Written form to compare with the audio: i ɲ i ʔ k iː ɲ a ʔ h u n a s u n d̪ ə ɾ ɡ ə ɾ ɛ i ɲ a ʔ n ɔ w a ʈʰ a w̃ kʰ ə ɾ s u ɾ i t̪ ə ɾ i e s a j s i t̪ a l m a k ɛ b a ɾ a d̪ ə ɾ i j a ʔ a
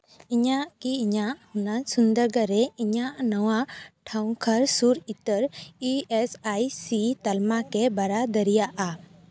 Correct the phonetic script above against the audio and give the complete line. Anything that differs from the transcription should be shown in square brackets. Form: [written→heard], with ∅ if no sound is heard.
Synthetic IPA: i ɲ [i→a] ʔ k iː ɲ a ʔ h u n a s u n d̪ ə ɾ ɡ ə ɾ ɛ i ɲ a ʔ n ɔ w a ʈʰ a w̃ kʰ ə ɾ s u ɾ i t̪ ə ɾ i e s a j s i t̪ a l m a k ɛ b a ɾ a d̪ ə ɾ i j a ʔ a